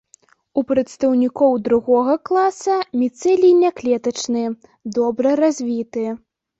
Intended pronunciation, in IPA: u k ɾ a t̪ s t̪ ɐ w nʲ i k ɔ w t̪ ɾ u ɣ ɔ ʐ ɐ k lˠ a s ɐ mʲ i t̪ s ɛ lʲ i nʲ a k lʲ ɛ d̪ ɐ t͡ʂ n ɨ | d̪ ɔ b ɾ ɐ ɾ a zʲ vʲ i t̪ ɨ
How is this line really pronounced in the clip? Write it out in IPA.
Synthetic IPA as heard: u p ɾ ɐ t̪ s t̪ ɐ w nʲ i k ɔ w d̪ ɾ u ɣ ɔ ɣ ɐ k lˠ a s ɐ mʲ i t̪ s ɛ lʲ i nʲ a k lʲ ɛ t̪ ɐ t͡ʂ n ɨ | d̪ ɔ b ɾ ɐ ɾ a zʲ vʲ i t̪ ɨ